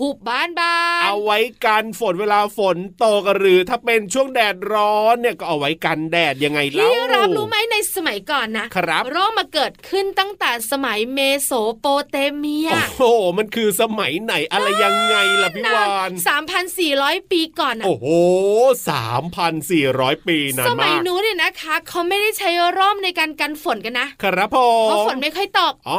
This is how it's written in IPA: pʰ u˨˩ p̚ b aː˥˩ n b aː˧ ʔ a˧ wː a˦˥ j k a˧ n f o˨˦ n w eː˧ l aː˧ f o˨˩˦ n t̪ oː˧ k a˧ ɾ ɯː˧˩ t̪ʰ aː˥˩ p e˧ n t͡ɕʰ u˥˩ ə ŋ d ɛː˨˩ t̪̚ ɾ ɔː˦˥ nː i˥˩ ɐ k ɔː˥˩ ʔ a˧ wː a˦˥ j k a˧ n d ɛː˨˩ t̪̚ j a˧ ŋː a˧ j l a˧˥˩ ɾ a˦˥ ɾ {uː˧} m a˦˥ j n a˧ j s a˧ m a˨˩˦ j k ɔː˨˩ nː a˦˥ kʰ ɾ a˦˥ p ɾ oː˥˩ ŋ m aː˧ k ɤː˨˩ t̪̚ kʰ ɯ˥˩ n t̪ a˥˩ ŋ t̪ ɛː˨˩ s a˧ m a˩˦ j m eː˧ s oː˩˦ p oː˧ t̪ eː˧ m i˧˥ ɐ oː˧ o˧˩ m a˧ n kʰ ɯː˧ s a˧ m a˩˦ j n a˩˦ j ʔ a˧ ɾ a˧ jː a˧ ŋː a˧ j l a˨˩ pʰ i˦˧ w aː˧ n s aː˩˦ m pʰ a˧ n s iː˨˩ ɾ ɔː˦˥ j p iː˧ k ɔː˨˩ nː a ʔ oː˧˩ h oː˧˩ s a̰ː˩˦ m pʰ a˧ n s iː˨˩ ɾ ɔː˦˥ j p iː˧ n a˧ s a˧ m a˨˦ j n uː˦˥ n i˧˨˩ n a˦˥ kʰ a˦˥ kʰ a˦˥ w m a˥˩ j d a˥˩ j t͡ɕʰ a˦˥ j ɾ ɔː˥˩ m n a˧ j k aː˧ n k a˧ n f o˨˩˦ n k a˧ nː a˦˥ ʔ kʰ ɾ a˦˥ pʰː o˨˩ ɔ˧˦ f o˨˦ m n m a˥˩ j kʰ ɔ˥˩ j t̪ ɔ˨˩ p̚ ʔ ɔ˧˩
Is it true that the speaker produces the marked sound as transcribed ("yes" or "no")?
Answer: no